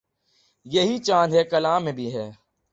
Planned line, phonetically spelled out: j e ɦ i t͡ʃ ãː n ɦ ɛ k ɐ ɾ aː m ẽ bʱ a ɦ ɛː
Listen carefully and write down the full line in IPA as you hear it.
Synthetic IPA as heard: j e ɦ i t͡ʃ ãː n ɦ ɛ k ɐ l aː m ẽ bʱ i ɦ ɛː